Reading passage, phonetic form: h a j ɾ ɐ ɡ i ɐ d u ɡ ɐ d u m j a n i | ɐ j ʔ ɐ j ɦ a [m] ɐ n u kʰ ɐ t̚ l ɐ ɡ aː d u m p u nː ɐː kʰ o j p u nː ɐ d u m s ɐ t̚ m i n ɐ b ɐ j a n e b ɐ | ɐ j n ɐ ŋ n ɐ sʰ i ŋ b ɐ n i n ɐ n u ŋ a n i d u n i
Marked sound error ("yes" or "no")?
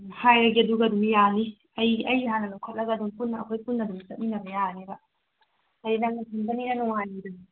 yes